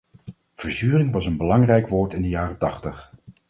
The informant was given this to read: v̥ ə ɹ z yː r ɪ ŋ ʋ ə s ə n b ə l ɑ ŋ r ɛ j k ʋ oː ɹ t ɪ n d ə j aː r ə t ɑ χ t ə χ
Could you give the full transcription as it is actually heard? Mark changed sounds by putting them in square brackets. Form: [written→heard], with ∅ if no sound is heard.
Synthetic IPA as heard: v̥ ə ɹ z yː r ɪ ŋ ʋ [ə→ɑ] s ə n b ə l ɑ ŋ r ɛ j k ʋ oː ɹ t ɪ n d ə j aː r ə t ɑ χ t ə χ